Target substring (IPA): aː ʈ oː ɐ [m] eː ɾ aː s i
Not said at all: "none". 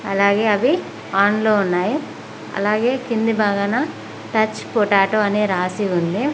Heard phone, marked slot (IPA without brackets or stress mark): n